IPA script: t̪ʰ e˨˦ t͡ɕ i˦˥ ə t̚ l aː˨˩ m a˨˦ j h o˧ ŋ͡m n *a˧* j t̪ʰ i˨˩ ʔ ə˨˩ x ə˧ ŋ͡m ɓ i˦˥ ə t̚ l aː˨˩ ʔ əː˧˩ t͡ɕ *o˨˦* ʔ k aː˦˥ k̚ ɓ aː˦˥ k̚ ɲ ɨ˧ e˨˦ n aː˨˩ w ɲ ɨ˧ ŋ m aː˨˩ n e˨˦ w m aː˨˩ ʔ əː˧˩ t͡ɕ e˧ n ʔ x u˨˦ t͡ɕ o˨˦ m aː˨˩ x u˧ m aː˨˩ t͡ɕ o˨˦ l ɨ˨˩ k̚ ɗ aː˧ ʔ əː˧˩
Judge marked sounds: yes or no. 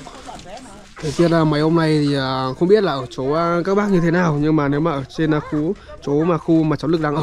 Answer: no, yes

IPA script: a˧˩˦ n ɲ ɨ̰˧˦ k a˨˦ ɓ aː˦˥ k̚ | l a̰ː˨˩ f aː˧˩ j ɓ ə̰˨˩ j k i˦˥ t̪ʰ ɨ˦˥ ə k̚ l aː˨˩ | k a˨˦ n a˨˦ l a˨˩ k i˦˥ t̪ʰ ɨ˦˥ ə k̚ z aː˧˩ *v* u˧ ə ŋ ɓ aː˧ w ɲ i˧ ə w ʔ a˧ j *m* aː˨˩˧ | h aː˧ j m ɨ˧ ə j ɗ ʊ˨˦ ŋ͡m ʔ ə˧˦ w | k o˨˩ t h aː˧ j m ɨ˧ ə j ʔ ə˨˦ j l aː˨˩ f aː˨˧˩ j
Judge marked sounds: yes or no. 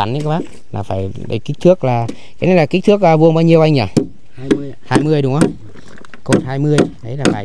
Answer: yes, no

